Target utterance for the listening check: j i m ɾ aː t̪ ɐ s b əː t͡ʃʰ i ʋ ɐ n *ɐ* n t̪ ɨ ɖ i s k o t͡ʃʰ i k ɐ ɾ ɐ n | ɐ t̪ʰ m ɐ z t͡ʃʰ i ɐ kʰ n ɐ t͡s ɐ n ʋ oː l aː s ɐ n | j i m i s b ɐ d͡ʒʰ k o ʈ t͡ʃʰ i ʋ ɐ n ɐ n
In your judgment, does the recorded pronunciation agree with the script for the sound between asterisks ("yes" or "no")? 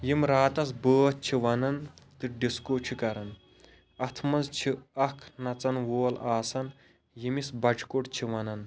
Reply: yes